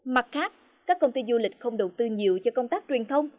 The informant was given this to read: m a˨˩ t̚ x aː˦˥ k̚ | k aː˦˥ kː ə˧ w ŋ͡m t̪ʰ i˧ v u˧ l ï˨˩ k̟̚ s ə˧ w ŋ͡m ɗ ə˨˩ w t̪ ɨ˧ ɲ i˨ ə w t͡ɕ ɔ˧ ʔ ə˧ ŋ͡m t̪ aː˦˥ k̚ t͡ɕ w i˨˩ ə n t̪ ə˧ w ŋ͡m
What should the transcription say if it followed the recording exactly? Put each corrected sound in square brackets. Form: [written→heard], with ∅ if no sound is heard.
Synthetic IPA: m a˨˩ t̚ x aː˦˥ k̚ | k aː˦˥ kː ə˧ w ŋ͡m [t̪ʰ→t̪] i˧ [v→z] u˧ l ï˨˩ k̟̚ [s→x] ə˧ w ŋ͡m ɗ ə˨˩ w t̪ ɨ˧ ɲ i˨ ə w t͡ɕ ɔ˧ [ʔ→k] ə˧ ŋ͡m t̪ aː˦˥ k̚ t͡ɕ w i˨˩ ə n [t̪→t̪ʰ] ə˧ w ŋ͡m

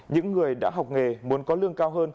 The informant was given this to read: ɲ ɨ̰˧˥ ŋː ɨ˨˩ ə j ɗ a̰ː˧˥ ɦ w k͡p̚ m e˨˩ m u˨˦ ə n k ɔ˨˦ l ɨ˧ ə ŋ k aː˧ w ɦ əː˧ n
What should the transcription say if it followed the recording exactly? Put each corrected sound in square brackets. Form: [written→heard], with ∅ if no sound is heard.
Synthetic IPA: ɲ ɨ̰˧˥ ŋː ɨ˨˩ ə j ɗ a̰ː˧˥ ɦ w k͡p̚ [m→ŋ] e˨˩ m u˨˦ ə n k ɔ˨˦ l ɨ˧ ə ŋ k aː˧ w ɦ əː˧ n

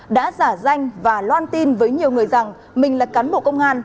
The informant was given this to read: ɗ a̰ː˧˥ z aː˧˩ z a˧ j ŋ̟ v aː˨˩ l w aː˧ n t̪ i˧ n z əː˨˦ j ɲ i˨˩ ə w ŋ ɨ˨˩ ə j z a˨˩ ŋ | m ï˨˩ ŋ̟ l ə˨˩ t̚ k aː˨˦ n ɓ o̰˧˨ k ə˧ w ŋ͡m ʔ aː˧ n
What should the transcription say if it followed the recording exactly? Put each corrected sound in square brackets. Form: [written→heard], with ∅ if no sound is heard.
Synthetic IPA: ɗ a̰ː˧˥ z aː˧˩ z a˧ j ŋ̟ v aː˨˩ l w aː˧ n t̪ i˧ n [z→v] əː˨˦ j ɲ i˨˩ ə w ŋ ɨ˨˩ ə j z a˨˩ ŋ | m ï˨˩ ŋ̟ l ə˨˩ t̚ k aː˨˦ n ɓ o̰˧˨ k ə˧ w ŋ͡m ʔ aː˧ n

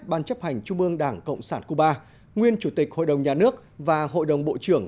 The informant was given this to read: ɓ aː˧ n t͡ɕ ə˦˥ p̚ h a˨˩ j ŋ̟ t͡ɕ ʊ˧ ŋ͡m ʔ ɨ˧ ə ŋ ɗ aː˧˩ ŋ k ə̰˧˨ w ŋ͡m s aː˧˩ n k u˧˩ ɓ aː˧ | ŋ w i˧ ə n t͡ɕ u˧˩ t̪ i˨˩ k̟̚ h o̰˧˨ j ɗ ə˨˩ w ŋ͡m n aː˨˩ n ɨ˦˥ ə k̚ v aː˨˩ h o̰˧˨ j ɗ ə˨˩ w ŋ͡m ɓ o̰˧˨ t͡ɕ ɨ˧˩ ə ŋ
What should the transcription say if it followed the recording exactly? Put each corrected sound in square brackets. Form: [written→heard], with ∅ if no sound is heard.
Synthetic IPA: ɓ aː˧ n t͡ɕ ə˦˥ p̚ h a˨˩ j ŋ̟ t͡ɕ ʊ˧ ŋ͡m ʔ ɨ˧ ə ŋ ɗ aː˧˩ ŋ k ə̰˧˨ w ŋ͡m s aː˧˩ n k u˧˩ ɓ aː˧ | ŋ w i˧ ə n t͡ɕ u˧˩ t̪ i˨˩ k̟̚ h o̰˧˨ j ɗ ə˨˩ w ŋ͡m [n→ɲ] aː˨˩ n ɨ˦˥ ə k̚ v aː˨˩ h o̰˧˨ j ɗ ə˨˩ w ŋ͡m ɓ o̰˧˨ t͡ɕ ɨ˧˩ ə ŋ

